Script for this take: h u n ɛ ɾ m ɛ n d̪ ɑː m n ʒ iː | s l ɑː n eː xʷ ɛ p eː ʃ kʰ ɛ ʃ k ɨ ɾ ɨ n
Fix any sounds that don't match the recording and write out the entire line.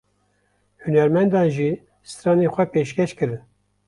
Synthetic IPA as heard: h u n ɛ ɾ m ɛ n d̪ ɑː n ʒ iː | s ɾ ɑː n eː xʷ ɛ p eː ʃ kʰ ɛ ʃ k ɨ ɾ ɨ n